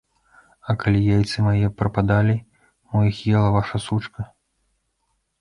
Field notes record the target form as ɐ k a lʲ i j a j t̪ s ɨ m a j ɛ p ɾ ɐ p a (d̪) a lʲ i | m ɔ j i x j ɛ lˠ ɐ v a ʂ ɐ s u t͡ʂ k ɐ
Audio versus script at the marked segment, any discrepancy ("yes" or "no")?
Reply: no